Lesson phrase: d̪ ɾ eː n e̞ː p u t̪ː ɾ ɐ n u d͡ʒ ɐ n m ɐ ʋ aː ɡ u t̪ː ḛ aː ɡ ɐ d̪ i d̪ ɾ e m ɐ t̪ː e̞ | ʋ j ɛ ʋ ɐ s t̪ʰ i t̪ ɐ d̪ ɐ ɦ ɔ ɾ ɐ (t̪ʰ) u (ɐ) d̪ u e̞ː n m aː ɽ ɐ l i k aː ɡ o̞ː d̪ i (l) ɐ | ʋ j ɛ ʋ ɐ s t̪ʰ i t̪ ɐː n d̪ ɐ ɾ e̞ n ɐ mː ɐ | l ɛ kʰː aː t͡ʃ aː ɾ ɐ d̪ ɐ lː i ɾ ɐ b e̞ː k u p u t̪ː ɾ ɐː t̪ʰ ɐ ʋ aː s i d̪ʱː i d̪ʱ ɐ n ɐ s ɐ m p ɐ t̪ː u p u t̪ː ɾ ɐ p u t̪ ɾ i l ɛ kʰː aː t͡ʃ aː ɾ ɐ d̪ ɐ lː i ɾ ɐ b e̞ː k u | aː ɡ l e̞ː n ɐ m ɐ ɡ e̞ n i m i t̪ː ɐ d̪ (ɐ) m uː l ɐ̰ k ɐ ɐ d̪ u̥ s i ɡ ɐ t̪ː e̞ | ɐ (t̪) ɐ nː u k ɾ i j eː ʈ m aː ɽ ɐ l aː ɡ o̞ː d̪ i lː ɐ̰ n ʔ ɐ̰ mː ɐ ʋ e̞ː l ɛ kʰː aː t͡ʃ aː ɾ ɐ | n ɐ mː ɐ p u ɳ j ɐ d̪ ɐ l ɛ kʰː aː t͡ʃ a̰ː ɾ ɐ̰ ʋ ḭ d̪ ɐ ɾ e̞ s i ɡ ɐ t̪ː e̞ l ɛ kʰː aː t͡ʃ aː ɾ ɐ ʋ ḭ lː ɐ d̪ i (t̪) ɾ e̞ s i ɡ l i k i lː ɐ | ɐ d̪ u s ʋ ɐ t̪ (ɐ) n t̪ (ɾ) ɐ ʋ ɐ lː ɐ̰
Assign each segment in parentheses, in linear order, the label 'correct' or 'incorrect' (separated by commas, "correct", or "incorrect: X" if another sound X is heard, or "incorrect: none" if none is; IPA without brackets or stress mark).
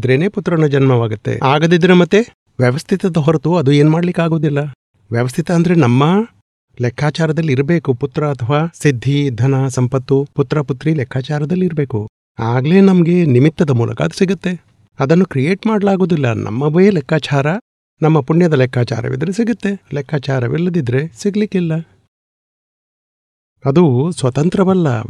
incorrect: t̪, correct, incorrect: lː, correct, incorrect: d̪, incorrect: d̪, correct, correct